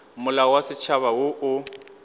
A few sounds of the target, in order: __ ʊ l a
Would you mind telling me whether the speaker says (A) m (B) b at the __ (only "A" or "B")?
A